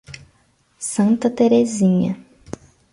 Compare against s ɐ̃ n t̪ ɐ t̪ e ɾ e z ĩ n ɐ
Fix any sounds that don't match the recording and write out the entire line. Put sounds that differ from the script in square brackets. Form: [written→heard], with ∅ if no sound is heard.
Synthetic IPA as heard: s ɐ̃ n t̪ ɐ t̪ e ɾ e z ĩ [n→ɲ] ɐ